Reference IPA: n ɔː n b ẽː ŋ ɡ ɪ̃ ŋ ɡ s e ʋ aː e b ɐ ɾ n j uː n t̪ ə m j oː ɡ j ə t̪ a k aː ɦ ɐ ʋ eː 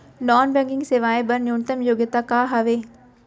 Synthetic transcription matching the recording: n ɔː n b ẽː ŋ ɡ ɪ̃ ŋ ɡ s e ʋ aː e b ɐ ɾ n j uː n t̪ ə m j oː ɡ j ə t̪ a k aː ɦ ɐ ʋ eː